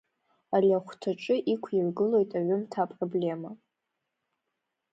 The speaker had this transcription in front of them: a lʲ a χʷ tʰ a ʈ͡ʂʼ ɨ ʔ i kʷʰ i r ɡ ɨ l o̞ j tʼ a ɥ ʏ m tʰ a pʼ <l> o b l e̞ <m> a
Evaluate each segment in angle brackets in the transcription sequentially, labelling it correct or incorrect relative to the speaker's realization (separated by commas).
incorrect, correct